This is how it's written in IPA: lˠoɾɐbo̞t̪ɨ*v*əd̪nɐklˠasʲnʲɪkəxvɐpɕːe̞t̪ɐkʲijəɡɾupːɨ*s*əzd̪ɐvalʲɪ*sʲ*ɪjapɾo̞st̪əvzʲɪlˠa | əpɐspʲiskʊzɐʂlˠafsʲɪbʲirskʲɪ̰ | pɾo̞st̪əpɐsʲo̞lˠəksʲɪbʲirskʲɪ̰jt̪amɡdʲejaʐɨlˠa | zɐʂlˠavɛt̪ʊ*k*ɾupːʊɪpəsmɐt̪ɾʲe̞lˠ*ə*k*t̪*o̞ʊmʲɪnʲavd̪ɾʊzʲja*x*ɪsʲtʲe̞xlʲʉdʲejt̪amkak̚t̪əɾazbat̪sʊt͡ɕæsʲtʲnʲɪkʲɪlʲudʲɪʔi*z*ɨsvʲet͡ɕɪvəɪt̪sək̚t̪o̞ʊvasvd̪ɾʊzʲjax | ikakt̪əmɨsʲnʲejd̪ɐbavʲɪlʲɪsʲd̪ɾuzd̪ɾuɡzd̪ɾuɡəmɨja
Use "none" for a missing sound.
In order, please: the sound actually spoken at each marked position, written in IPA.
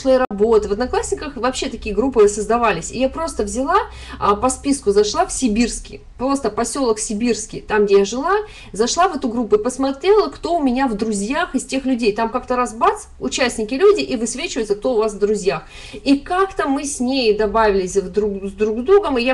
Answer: v, s, sʲ, ɡ, ə, t̪, x, v

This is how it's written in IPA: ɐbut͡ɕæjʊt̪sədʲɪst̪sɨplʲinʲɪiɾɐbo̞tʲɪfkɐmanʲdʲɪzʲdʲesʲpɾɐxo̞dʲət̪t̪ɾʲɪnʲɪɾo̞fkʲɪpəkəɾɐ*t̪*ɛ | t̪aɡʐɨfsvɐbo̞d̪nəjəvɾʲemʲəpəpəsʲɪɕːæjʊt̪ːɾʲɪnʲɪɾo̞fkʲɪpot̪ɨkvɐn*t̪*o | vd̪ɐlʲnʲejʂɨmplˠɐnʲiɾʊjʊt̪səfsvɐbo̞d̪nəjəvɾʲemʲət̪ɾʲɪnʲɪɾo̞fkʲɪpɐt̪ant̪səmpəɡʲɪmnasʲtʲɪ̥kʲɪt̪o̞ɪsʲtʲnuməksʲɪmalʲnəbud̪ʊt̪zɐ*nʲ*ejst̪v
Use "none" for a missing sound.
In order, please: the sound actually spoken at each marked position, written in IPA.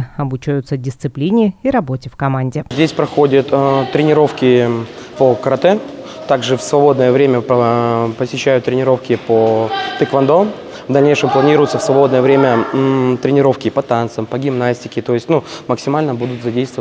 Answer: t̪, d̪, dʲ

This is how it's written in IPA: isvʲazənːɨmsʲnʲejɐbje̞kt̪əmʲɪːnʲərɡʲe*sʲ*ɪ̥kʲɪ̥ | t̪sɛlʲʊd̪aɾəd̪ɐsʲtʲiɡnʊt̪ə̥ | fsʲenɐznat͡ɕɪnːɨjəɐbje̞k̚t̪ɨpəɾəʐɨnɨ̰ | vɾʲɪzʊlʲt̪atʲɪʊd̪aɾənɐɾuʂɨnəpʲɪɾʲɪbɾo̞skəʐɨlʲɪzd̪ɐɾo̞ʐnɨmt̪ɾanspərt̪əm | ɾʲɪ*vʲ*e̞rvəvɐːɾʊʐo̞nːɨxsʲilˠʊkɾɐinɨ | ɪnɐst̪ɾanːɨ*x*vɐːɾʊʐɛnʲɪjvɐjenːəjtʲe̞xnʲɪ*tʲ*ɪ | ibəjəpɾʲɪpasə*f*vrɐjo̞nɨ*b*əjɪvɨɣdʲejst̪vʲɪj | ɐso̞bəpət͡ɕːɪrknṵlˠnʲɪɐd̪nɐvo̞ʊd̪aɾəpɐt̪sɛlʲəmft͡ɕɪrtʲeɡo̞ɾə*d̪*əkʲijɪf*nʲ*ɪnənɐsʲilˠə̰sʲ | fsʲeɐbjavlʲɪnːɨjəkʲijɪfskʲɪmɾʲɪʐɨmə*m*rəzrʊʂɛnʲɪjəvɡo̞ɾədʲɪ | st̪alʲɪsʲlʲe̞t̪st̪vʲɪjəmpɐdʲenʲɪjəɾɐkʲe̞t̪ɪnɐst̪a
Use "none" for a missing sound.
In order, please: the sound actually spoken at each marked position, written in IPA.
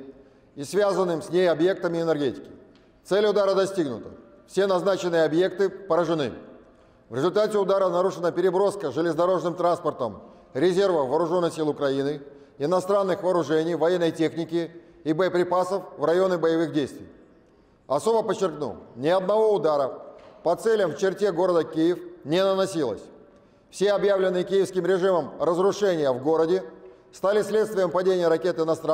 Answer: tʲ, zʲ, x, kʲ, f, b, d̪, nʲ, m

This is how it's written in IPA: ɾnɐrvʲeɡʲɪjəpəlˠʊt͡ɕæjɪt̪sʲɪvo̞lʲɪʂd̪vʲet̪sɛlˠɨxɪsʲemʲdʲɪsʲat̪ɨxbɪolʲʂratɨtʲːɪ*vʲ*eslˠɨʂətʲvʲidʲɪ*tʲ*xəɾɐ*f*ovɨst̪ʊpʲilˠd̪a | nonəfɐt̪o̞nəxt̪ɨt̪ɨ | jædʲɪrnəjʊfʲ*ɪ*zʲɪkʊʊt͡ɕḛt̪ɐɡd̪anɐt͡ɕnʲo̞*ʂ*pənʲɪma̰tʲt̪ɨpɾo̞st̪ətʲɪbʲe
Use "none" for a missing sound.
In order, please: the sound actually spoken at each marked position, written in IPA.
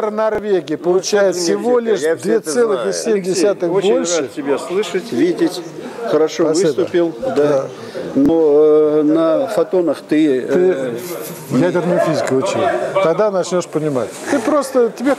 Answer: bʲ, tʲ, ʂ, i, ʂ

